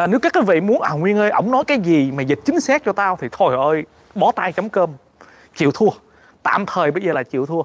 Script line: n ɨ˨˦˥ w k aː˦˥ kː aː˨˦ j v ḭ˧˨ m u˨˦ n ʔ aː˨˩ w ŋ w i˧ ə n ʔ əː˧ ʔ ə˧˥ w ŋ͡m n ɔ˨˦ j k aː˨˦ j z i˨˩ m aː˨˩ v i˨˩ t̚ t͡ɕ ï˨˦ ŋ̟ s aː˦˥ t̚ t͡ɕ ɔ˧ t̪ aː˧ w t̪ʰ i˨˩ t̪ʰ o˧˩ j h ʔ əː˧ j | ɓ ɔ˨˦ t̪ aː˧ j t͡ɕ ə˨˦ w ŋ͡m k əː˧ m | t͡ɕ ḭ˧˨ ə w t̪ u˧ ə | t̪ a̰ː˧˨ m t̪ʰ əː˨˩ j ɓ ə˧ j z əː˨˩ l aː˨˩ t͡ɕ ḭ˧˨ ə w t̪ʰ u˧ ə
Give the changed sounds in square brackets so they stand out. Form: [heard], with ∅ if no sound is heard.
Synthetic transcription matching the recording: n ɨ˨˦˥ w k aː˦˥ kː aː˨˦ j v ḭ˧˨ m u˨˦ n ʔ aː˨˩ w ŋ w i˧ ə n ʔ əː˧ ʔ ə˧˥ w ŋ͡m n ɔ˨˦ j k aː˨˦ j z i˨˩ m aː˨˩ [z] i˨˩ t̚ t͡ɕ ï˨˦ ŋ̟ s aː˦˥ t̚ t͡ɕ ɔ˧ t̪ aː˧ w t̪ʰ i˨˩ t̪ʰ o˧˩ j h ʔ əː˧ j | ɓ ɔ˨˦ t̪ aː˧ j t͡ɕ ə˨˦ w ŋ͡m k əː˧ m | t͡ɕ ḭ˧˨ ə w [t̪ʰ] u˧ ə | t̪ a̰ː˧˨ m t̪ʰ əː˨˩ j ɓ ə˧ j z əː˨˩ l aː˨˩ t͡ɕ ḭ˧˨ ə w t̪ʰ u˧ ə